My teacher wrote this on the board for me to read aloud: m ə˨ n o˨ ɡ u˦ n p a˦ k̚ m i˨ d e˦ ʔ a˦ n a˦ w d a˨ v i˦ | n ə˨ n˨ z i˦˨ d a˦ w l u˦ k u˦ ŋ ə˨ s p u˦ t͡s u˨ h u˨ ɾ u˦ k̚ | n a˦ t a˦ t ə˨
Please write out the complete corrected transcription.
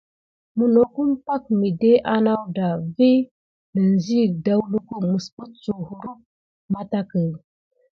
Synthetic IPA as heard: m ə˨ n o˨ k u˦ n p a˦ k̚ m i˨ d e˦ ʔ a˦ n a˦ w d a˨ v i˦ | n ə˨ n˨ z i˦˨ d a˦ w l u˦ k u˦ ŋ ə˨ s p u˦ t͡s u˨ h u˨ ɾ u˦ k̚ | m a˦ t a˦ k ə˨